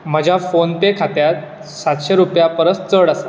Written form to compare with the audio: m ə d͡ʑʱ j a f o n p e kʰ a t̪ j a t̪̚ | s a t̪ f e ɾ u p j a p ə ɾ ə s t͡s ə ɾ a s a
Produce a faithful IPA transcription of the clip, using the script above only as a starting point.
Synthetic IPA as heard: m ə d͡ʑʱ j a f o n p e kʰ a t̪ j a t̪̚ | s a t̪ ɕ e ɾ u p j a p ə ɾ ə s t͡s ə ɽ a s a